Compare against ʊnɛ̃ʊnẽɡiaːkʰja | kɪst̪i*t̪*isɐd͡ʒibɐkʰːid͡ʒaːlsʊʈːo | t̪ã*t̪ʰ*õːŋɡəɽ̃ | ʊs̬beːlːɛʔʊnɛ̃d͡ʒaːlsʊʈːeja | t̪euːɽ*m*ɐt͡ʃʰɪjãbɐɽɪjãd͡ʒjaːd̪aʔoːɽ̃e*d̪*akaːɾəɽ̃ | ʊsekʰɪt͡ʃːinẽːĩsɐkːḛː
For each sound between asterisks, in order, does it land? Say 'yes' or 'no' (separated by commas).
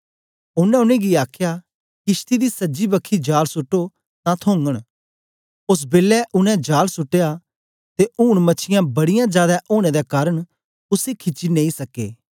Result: no, yes, yes, yes